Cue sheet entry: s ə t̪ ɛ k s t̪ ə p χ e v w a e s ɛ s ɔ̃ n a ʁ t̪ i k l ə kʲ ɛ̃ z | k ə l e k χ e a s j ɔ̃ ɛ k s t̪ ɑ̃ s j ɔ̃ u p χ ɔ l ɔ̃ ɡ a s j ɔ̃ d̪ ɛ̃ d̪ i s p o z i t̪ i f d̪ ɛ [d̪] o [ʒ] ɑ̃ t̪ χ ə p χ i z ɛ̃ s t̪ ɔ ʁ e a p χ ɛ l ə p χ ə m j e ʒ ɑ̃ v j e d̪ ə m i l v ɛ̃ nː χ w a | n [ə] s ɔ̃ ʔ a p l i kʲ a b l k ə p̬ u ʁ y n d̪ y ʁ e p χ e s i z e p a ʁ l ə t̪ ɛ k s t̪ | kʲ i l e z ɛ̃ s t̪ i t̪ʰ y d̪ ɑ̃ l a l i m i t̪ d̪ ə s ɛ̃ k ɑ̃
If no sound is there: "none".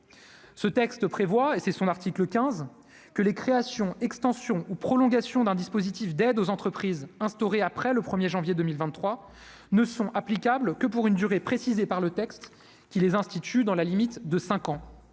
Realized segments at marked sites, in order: d̪, z, ə

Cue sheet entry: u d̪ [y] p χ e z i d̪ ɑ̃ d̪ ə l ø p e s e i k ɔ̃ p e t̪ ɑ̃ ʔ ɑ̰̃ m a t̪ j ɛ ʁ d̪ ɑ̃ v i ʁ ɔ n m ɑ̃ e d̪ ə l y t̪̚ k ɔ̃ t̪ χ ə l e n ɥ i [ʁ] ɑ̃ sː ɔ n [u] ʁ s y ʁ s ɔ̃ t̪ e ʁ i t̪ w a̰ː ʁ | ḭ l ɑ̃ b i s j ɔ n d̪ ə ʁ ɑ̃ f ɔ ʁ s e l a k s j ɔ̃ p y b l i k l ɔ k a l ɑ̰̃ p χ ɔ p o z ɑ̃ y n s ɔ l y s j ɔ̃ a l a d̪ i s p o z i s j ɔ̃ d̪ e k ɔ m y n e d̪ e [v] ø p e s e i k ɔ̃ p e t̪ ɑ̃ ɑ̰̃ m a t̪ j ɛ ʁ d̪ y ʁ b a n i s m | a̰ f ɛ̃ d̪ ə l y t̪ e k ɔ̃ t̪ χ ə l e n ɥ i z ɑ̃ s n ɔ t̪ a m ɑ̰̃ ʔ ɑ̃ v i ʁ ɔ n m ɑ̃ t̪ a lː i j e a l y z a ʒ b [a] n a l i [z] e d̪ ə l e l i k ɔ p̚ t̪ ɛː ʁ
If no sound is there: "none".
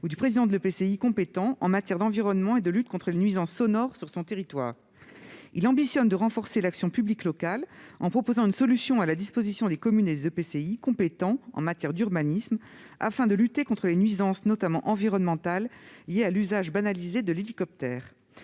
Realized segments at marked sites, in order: y, z, ɔ, z, a, z

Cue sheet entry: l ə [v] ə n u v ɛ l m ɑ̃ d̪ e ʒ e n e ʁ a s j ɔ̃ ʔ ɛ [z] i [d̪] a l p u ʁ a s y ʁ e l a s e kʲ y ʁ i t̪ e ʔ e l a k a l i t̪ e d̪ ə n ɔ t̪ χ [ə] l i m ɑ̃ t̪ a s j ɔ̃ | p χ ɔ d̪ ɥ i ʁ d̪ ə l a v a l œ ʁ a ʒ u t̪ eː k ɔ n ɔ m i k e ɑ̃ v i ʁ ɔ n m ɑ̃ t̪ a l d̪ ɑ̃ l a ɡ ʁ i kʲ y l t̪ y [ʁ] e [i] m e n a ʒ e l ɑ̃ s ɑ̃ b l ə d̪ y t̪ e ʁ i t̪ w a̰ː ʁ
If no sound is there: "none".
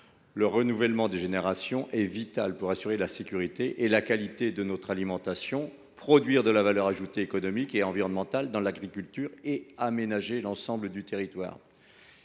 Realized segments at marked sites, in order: ʁ, v, t̪, a, ʁ, a

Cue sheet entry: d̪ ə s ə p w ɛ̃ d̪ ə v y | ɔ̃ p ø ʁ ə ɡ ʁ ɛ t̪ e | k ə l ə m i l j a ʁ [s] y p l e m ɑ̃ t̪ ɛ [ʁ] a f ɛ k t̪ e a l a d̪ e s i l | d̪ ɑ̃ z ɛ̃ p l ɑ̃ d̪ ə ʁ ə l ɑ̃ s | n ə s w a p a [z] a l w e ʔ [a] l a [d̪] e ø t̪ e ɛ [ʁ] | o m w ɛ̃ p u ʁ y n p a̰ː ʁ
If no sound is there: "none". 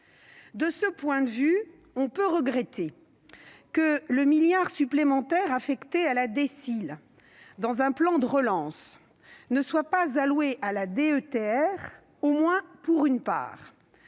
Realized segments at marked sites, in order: s, ʁ, z, a, d̪, ʁ

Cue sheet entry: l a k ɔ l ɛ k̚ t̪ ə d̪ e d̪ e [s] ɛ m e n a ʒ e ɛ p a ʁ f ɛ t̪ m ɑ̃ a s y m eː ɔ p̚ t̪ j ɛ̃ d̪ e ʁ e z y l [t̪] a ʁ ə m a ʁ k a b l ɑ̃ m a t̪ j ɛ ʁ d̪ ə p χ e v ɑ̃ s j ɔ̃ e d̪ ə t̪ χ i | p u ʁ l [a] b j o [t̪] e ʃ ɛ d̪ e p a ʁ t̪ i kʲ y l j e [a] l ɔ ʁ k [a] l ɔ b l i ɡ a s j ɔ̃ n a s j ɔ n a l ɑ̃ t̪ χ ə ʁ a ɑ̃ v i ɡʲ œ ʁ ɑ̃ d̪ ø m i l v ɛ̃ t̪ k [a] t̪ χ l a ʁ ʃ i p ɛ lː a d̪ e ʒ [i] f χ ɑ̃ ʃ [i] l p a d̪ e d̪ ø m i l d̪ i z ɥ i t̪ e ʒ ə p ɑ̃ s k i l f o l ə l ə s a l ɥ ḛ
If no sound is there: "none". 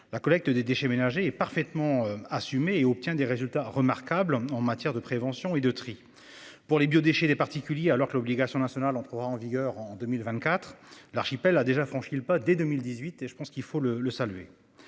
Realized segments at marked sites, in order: ʃ, t̪, e, d̪, a, ə, a, a, i

